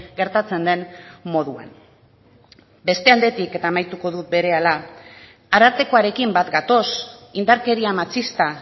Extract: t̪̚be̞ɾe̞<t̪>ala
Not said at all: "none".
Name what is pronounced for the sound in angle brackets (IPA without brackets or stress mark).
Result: none